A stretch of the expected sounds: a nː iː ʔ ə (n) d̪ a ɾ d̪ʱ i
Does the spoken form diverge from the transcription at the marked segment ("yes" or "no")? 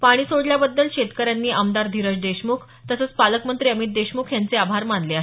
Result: yes